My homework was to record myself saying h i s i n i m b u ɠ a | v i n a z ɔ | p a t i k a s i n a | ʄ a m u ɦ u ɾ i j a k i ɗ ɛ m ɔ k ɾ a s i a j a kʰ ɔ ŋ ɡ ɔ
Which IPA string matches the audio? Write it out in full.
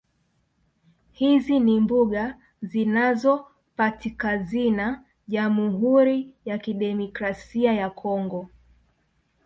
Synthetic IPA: h i z i n i m b u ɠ a | z i n a z ɔ | p a t i k a z i n a | ʄ a m u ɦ u ɾ i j a k i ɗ ɛ m ɔ k ɾ a s i a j a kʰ ɔ ŋ ɡ ɔ